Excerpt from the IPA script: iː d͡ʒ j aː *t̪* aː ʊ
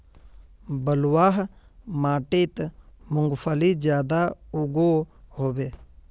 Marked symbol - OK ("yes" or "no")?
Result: no